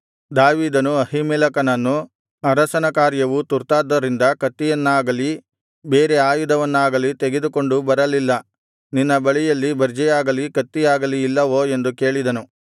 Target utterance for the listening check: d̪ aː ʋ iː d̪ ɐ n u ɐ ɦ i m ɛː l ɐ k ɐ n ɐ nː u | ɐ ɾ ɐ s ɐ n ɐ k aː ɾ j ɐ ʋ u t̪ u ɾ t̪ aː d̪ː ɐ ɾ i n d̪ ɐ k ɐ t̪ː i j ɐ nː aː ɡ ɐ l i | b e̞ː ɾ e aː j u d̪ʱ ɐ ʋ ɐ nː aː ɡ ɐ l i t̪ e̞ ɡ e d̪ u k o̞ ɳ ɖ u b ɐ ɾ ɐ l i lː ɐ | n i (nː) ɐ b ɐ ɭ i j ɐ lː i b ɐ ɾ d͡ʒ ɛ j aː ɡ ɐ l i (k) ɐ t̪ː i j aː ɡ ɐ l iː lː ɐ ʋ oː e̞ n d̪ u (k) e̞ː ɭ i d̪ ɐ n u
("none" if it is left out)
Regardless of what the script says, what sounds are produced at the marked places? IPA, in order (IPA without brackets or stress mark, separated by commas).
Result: nː, k, k